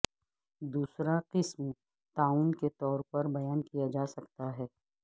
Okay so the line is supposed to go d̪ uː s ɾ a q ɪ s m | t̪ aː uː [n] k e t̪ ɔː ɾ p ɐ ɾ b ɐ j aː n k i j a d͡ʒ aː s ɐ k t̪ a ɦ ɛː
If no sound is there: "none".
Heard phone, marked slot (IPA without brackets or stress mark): n